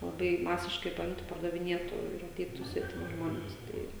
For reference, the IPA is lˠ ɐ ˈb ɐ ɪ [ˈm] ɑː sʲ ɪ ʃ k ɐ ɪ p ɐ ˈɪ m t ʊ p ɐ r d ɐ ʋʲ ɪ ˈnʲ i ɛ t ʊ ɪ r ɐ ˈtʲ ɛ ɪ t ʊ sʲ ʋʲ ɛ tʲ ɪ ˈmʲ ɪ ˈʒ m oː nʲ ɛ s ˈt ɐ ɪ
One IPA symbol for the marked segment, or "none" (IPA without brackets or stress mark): m